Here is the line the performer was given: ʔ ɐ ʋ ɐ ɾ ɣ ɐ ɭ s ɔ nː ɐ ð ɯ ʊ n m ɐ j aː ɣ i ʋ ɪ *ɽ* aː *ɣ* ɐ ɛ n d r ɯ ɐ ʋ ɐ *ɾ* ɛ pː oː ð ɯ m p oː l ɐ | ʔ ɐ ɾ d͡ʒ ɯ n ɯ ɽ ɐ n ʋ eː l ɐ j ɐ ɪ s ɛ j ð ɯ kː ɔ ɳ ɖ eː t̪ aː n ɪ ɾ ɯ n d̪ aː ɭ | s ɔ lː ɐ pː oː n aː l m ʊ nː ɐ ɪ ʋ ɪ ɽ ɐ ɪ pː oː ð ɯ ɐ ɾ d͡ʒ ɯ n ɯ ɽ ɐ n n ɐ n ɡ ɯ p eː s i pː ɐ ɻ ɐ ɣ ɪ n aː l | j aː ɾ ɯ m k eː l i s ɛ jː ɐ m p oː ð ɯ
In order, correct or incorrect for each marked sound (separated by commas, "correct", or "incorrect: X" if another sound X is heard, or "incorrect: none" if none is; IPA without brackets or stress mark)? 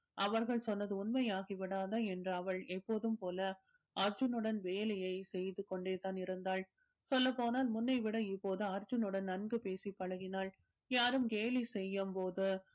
correct, incorrect: ð, incorrect: ɭ